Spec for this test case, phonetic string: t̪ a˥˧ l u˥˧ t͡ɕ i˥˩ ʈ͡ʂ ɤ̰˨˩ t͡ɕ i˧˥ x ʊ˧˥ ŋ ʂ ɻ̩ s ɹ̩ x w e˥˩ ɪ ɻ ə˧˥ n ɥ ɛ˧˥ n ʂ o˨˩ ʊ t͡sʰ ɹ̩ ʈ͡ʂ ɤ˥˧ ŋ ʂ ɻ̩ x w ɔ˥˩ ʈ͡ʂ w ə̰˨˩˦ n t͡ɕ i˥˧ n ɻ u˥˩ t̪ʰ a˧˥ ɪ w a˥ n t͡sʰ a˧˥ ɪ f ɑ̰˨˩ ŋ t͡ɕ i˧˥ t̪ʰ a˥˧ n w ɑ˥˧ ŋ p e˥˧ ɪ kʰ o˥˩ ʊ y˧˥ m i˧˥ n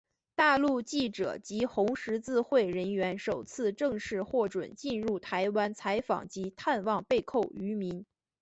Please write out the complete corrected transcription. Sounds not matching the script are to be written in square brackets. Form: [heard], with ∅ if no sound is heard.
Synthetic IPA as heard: t̪ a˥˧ l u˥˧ t͡ɕ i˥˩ ʈ͡ʂ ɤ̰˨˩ t͡ɕ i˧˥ x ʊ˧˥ ŋ ʂ ɻ̩ [t͡s] ɹ̩ x w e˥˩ ɪ ɻ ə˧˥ n ɥ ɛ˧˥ n ʂ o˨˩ ʊ t͡sʰ ɹ̩ ʈ͡ʂ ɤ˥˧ ŋ ʂ ɻ̩ x w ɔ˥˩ ʈ͡ʂ w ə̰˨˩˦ n t͡ɕ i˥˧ n ɻ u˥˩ t̪ʰ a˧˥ ɪ w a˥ n t͡sʰ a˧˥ ɪ f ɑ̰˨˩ ŋ t͡ɕ i˧˥ t̪ʰ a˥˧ n w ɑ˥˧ ŋ p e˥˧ ɪ kʰ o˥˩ ʊ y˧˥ m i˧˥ n